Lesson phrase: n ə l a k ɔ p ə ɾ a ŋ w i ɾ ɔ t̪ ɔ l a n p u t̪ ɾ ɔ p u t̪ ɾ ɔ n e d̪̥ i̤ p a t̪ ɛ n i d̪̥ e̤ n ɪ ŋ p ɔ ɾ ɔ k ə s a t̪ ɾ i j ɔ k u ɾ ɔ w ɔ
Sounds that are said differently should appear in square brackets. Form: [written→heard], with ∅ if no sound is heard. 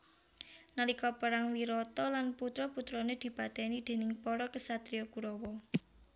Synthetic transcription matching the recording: n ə l [a→i] k ɔ p ə ɾ a ŋ w i ɾ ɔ t̪ ɔ l a n p u t̪ ɾ ɔ p u t̪ ɾ ɔ n e d̪̥ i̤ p a t̪ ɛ n i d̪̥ e̤ n ɪ ŋ p ɔ ɾ ɔ k ə s a t̪ ɾ i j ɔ k u ɾ ɔ w ɔ